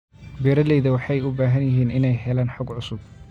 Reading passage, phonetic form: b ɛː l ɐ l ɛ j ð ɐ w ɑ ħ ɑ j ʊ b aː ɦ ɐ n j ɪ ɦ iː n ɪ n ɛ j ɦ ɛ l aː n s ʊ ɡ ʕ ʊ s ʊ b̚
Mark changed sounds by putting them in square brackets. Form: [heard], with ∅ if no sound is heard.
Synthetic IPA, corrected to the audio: b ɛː [ɾ] ɐ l ɛ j ð ɐ w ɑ ħ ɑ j ʊ b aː ɦ ɐ n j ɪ ɦ iː n ɪ n ɛ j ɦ ɛ l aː n [ħ] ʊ ɡ ʕ ʊ s ʊ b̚